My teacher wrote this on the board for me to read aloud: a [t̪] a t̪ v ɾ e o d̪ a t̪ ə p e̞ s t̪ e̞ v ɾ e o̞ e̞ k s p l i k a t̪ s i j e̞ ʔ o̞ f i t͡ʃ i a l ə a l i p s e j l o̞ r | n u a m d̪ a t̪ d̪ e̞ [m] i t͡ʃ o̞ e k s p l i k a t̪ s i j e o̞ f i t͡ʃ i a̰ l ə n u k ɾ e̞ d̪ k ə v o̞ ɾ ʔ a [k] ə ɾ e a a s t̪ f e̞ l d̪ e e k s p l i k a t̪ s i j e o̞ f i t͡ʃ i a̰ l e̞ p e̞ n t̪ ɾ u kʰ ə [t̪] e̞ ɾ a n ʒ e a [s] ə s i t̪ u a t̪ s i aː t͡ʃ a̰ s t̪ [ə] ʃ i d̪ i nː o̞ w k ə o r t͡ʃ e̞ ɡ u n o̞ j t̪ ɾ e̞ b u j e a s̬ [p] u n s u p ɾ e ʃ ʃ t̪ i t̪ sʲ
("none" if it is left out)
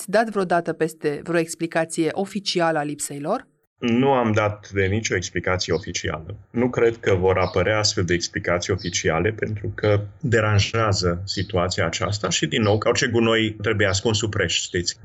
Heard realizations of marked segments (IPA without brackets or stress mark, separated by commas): d̪, n, p, d̪, z, a, k